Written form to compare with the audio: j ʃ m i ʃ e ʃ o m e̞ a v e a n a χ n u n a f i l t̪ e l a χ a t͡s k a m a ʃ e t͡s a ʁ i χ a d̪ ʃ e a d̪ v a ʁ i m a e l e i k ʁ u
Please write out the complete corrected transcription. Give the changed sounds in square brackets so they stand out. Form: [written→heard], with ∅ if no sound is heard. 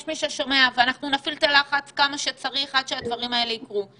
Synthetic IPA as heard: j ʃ m i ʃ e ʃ o m e̞ a v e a n a χ n u n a f i l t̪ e l a χ a t͡s k a m a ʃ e t͡s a ʁ i χ a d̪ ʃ e a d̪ v a ʁ i m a e l e i k ʁ u